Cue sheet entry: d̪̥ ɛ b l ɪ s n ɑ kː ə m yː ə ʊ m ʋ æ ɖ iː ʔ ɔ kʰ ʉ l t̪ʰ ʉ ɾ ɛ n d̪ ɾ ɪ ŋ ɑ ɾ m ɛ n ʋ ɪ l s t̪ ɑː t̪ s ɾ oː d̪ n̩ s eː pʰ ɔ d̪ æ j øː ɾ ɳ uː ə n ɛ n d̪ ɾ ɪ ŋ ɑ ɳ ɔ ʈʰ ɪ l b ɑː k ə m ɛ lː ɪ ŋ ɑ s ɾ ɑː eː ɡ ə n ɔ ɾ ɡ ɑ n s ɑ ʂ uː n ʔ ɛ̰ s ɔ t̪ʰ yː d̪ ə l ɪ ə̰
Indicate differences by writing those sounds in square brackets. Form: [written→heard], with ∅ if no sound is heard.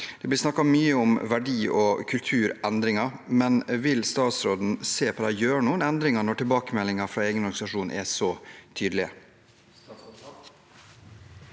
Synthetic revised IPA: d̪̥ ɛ b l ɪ s n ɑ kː [ə→ɑ] m yː ə ʊ m ʋ æ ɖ iː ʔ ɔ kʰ ʉ l t̪ʰ [ʉ→ʉː] ɾ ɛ n d̪ ɾ ɪ ŋ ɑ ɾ m ɛ n ʋ ɪ l s t̪ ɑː t̪ s ɾ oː d̪ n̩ s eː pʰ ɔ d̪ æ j øː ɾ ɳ uː ə n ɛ n d̪ ɾ ɪ ŋ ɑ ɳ ɔ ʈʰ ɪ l b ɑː k ə m ɛ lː ɪ ŋ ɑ [s→f] ɾ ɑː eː ɡ ə n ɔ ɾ ɡ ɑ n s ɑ ʂ uː n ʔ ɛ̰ s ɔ t̪ʰ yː d̪ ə l ɪ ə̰